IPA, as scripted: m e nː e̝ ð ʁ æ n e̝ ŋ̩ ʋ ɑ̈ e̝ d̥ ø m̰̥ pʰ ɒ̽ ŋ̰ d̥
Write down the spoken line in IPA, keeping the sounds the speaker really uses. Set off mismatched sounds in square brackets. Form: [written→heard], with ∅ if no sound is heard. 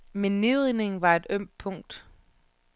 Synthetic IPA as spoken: m e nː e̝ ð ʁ [æ→i] n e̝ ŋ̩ ʋ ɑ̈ e̝ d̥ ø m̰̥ pʰ [ɒ̽→ɔ̽] ŋ̰ d̥